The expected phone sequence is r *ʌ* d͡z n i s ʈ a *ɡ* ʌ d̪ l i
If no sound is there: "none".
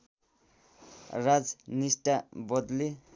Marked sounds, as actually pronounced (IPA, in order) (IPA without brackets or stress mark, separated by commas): a, b